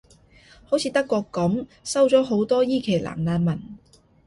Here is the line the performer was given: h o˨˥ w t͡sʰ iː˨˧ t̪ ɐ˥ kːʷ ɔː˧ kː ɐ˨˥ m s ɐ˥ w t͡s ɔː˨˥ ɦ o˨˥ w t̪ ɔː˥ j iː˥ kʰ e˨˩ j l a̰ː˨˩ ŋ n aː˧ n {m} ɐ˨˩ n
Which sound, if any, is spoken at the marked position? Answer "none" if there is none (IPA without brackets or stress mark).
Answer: m